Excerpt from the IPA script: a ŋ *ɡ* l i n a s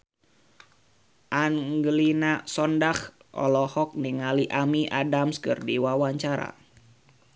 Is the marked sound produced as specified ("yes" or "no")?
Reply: yes